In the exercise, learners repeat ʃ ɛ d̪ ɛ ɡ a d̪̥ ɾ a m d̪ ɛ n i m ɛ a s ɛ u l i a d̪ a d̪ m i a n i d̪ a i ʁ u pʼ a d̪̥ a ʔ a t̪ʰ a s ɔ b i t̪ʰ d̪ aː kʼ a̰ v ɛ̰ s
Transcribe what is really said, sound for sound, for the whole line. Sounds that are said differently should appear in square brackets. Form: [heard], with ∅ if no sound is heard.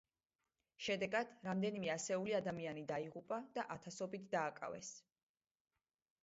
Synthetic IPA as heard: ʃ ɛ d̪ ɛ ɡ a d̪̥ ɾ a m d̪ ɛ n i m ɛ a s ɛ u l i a d̪ a [∅] m i a n i d̪ a i ʁ u pʼ a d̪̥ a ʔ a t̪ʰ a s ɔ b i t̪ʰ d̪ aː kʼ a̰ v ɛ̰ s